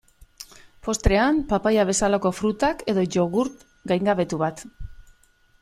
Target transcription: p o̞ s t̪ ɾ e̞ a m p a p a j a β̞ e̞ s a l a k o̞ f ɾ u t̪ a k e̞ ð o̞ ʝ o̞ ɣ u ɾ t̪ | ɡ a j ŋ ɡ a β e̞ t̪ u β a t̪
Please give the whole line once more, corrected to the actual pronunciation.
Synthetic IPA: p o̞ s t̪ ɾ e̞ a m p a p a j a β̞ e̞ s a l a k o̞ f ɾ u t̪ a k e̞ ð o̞ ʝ o̞ ɣ u ɾ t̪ | ɡ a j ŋ ɡ a β e̞ t̪ u β a t̪